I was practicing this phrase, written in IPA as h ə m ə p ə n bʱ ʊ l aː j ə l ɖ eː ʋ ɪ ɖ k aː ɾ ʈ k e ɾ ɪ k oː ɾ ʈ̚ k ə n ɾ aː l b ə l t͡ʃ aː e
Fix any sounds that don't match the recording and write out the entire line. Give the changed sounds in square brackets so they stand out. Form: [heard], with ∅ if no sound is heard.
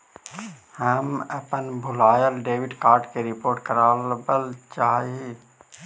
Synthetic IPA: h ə m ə p ə n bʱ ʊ l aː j ə l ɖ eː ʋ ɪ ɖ k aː ɾ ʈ k e ɾ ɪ [p] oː ɾ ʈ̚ k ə [∅] ɾ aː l b ə l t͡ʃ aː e

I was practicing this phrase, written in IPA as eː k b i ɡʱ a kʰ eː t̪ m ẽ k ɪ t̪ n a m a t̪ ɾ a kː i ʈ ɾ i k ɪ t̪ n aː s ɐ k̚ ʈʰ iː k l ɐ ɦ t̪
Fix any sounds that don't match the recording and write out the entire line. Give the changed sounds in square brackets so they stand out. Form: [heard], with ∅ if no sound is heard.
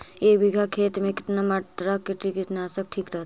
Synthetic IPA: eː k b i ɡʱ a kʰ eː t̪ m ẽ k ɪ t̪ n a m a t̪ ɾ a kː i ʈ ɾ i k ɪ t̪ n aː s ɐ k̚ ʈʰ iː k [ɾ] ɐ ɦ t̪

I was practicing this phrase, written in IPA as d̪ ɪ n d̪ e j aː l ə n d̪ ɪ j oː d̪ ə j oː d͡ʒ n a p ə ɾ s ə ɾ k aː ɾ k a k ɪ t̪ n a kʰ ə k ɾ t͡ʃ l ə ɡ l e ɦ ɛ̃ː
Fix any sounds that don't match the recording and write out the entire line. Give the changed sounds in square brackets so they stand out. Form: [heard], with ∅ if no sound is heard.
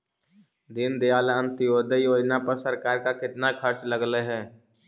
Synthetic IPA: d̪ ɪ n d̪ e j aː l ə n [t̪] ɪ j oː d̪ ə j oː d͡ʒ n a p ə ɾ s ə ɾ k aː ɾ k a k ɪ t̪ n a kʰ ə [∅] ɾ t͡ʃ l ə ɡ l e ɦ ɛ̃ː

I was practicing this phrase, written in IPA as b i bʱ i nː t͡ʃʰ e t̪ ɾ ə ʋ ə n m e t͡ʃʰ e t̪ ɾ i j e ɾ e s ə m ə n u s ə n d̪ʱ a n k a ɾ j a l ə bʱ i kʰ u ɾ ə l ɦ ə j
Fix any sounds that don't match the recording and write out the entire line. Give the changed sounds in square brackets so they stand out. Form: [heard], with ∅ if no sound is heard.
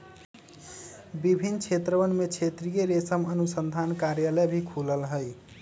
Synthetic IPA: b i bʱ i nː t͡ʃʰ e t̪ ɾ ə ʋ ə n m e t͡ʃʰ e t̪ ɾ i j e ɾ e s ə m ə n u s ə n d̪ʱ a n k a ɾ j a l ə bʱ i kʰ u [l] ə l ɦ ə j

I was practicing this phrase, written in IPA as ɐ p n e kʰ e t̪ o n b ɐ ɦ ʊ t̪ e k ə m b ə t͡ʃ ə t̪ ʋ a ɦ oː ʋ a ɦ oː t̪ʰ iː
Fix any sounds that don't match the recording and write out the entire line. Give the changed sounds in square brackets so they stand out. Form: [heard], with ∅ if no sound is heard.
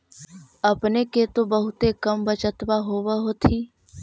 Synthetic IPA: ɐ p n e [k] e t̪ o [∅] b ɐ ɦ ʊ t̪ e k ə m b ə t͡ʃ ə t̪ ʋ a ɦ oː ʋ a ɦ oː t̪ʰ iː

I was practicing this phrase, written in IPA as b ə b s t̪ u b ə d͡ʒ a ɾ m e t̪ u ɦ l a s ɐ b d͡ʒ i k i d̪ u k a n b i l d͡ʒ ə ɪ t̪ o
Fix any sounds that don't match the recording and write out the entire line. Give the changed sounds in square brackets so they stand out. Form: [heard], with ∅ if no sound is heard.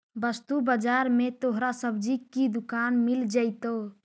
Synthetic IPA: b ə [∅] s t̪ u b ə d͡ʒ a ɾ m e t̪ [o] ɦ [ɾ] a s [ə] b d͡ʒ i k i d̪ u k a n [m] i l d͡ʒ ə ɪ t̪ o

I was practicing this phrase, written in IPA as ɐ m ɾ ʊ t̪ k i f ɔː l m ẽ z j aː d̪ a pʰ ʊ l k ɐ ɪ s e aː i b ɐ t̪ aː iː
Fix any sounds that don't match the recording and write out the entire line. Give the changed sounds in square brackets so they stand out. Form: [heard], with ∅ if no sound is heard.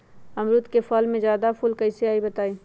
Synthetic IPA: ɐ m ɾ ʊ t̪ k [e] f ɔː l m ẽ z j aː d̪ a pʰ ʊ l k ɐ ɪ s e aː i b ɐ t̪ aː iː

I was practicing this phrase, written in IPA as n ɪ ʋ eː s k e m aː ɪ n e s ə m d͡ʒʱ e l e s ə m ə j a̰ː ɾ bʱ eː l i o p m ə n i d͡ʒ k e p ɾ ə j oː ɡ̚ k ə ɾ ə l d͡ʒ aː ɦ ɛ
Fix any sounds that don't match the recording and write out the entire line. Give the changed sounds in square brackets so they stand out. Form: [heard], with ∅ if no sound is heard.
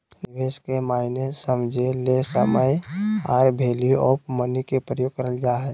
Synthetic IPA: n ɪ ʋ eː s k e m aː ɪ n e s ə m d͡ʒʱ e l e s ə m ə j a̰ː ɾ bʱ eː l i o p m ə n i [∅] k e p ɾ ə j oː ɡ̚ k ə ɾ ə l d͡ʒ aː ɦ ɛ

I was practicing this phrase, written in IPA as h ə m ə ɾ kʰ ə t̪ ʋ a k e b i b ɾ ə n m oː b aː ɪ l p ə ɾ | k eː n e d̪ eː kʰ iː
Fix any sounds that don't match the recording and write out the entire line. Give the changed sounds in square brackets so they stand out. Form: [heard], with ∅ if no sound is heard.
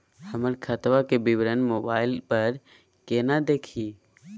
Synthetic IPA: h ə m ə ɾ kʰ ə t̪ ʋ a k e b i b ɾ ə n m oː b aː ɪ l p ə ɾ | k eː n [a] d̪ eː kʰ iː

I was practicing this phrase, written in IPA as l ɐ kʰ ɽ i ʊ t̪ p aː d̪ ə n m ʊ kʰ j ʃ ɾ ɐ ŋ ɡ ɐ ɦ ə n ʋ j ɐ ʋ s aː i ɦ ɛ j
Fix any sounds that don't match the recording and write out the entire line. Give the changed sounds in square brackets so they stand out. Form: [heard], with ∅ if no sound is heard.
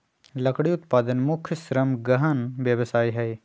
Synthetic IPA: l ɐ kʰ ɽ i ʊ t̪ p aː d̪ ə n m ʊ kʰ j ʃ ɾ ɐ [m] ɡ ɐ ɦ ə n ʋ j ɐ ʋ s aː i ɦ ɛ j

